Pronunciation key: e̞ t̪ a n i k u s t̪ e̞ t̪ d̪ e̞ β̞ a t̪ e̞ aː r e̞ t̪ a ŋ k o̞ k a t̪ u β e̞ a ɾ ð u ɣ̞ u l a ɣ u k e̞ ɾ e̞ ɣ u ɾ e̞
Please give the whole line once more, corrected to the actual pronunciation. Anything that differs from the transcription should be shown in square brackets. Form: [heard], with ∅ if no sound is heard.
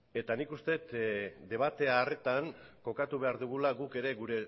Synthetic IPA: e̞ t̪ a n i k u s t̪ e̞ t̪ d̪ e̞ β̞ a t̪ e̞ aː r e̞ t̪ a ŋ k o̞ k a t̪ u β e̞ a ɾ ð u ɣ̞ u l a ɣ u k e̞ ɾ e̞ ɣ u ɾ e̞

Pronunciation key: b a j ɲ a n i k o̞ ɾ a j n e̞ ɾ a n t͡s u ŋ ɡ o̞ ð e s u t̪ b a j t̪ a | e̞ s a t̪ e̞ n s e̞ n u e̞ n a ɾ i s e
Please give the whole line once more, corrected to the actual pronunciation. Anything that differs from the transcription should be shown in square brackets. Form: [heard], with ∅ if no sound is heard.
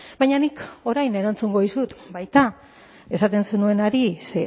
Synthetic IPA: b a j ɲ a n i k o̞ ɾ a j n e̞ ɾ a n t͡s u ŋ ɡ o̞ ð [i] s u t̪ b a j t̪ a | e̞ s a t̪ e̞ n s e̞ n u e̞ n a ɾ i s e

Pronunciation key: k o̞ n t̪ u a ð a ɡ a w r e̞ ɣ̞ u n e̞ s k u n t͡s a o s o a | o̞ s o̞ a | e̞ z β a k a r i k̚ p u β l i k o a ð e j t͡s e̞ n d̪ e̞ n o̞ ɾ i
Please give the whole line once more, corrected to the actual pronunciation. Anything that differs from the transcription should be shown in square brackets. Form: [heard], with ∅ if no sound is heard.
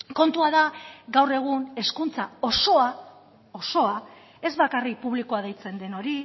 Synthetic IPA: k o̞ n t̪ u a ð a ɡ a w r e̞ ɣ̞ u n e̞ s k u n t͡s a o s o a | o̞ s o̞ a | e̞ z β a k a r i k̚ p u β l i k o a ð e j t͡s e̞ n d̪ e̞ n o̞ ɾ i

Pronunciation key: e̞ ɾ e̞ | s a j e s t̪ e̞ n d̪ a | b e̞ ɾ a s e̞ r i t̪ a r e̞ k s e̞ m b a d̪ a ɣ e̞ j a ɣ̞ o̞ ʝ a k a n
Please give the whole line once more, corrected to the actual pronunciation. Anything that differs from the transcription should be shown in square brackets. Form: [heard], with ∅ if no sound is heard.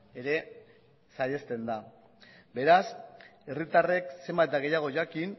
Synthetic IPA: e̞ ɾ e̞ | s a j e s t̪ e̞ n d̪ a | b e̞ ɾ a s e̞ r i t̪ a r e̞ k s e̞ m b a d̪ a ɣ e̞ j a ɣ̞ o̞ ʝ a k [i] n

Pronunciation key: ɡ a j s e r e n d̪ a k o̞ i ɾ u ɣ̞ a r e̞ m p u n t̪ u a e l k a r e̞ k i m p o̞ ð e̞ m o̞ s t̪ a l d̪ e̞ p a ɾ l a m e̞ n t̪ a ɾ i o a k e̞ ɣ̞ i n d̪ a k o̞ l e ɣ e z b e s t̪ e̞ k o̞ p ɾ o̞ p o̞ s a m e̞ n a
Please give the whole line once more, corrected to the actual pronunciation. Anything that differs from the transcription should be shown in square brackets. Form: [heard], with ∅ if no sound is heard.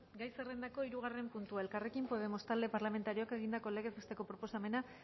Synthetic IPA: ɡ a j s e r e n d̪ a k o̞ i ɾ u ɣ̞ a r e̞ m p u n t̪ u a e l k a r e̞ k i m p o̞ ð e̞ m o̞ s t̪ a l d̪ e̞ p a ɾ l a m e̞ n t̪ a ɾ i o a k e̞ ɣ̞ i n d̪ a k o̞ l e ɣ e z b e s t̪ e̞ k o̞ p ɾ o̞ p o̞ s a m e̞ n a

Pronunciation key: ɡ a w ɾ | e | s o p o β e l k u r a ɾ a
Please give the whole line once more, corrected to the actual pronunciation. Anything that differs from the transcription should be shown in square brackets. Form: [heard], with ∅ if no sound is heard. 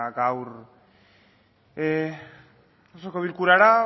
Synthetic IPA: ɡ a w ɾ | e | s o [k] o β [i] l k u [ɾ] a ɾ a

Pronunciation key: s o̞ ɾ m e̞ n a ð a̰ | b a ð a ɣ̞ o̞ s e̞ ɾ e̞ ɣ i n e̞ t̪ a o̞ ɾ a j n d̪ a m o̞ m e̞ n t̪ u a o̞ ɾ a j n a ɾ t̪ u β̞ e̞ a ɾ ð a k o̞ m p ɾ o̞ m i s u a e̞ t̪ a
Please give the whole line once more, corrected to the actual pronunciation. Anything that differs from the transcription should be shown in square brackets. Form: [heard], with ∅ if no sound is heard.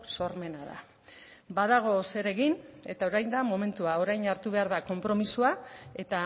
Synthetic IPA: s o̞ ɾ m e̞ n a ð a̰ | b a ð a ɣ̞ o̞ s e̞ ɾ e̞ ɣ i n e̞ t̪ a o̞ ɾ a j n d̪ a m o̞ m e̞ n t̪ u a o̞ ɾ a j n a ɾ t̪ u β̞ e̞ a ɾ ð a k o̞ m p ɾ o̞ m i s u a e̞ t̪ a

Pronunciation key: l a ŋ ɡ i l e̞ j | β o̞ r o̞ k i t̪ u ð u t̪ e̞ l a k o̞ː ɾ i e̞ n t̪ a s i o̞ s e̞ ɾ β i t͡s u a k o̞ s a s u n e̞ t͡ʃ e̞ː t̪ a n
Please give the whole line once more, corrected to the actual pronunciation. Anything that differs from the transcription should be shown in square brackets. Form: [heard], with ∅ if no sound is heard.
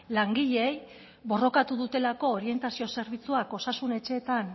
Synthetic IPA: l a ŋ ɡ i [ʎ] e̞ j | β o̞ r o̞ k [a] t̪ u ð u t̪ e̞ l a k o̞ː ɾ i e̞ n t̪ a s i o̞ s e̞ ɾ β i t͡s u a k o̞ s a s u n e̞ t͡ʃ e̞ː t̪ a n

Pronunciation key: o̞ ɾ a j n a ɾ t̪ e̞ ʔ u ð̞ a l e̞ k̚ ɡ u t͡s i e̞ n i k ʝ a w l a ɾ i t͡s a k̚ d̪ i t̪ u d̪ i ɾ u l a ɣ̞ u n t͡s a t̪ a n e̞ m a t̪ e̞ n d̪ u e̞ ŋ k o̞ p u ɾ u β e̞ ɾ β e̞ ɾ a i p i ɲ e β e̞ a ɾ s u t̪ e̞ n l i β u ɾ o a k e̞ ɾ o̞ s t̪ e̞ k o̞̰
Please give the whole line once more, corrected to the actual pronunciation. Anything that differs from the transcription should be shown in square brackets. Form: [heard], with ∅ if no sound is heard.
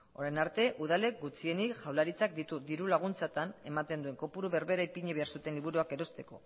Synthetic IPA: o̞ ɾ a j n a ɾ t̪ e̞ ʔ u ð̞ a l e̞ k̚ ɡ u t͡s i e̞ n i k ʝ a w l a ɾ i t͡s a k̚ d̪ i t̪ u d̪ i ɾ u l a ɣ̞ u n t͡s a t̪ a n e̞ m a t̪ e̞ n d̪ u e̞ ŋ k o̞ p u ɾ u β e̞ ɾ β e̞ ɾ a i p i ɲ e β e̞ a ɾ s u t̪ e̞ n l i β u ɾ [u] a k e̞ ɾ o̞ s t̪ e̞ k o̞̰

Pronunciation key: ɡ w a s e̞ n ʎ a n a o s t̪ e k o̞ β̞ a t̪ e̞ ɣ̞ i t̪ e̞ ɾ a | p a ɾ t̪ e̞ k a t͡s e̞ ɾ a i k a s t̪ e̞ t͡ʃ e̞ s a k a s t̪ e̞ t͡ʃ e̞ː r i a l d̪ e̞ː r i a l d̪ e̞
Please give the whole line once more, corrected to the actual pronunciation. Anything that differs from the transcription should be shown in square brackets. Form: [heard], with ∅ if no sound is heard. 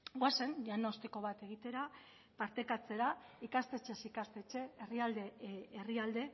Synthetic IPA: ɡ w a s e̞ n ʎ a n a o s t̪ e k o̞ β̞ a t̪ e̞ ɣ̞ i t̪ e̞ ɾ a | p a ɾ t̪ e̞ k a t͡s e̞ ɾ a i k a s t̪ e̞ t͡ʃ e̞ s [i] k a s t̪ e̞ t͡ʃ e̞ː r i a l d̪ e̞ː r i a l d̪ e̞

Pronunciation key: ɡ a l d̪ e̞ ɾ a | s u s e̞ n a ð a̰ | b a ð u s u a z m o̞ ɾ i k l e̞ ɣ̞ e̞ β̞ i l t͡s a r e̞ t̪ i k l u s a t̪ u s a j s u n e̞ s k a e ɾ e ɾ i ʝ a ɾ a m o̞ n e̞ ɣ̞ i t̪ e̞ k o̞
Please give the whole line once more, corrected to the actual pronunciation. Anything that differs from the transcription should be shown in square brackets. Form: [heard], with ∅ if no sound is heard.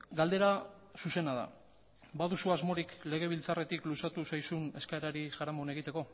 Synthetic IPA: ɡ a l d̪ e̞ ɾ a | s u s e̞ n a ð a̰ | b a ð u s u a z m o̞ ɾ i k l e̞ ɣ̞ e̞ β̞ i l t͡s a r e̞ t̪ i k l u s a t̪ u s a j s u n e̞ s k a e ɾ [a] ɾ i ʝ a ɾ a m o̞ n e̞ ɣ̞ i t̪ e̞ k o̞

